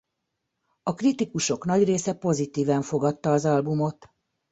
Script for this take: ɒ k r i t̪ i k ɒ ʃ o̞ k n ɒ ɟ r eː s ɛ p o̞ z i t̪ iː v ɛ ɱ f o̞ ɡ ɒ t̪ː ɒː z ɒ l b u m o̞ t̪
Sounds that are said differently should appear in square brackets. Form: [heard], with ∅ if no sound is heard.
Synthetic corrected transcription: ɒ k r i t̪ i k [u] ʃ o̞ k n ɒ ɟ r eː s ɛ p o̞ z i t̪ iː v ɛ ɱ f o̞ ɡ ɒ t̪ː ɒː z ɒ l b u m o̞ t̪